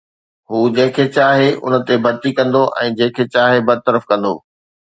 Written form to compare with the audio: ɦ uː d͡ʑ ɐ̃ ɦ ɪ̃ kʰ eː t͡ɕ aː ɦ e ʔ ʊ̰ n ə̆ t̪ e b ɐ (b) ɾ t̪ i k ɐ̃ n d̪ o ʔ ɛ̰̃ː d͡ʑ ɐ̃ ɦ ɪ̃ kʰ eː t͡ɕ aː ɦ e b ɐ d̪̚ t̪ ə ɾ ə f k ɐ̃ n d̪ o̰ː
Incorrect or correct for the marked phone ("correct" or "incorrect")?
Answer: incorrect